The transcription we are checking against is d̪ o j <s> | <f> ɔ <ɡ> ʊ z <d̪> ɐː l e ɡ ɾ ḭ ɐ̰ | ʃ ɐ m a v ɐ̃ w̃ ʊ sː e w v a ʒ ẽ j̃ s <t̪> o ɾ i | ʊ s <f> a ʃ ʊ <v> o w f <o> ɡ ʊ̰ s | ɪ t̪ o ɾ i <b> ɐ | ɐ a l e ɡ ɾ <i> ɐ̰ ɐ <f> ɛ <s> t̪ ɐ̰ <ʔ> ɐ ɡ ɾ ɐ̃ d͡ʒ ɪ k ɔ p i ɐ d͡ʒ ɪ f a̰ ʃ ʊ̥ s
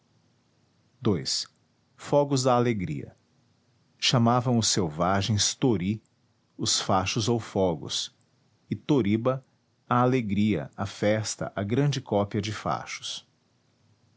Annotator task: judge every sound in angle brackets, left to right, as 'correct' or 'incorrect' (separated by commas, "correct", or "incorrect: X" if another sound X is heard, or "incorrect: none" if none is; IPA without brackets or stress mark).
correct, correct, correct, correct, correct, correct, incorrect: z, incorrect: ɔ, correct, correct, correct, correct, correct